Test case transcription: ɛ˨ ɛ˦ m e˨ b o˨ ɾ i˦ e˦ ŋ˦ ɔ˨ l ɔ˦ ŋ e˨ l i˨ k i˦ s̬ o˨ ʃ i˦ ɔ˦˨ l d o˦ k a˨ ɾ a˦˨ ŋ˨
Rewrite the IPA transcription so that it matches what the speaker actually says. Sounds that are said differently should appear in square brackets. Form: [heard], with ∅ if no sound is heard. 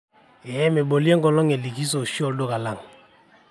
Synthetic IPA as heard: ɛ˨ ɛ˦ m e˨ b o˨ [l] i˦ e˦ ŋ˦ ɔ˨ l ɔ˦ ŋ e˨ l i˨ k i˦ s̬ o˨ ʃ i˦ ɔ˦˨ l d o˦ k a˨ [l] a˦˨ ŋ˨